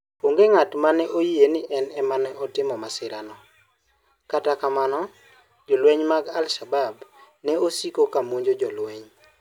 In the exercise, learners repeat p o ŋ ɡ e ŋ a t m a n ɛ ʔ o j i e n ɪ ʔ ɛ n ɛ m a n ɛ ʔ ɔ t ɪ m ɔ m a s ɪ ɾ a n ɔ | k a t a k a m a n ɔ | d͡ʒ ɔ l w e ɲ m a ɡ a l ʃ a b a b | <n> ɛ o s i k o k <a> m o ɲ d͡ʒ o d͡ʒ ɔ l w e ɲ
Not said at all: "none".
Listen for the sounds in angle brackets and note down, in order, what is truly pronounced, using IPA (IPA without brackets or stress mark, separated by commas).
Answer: n, a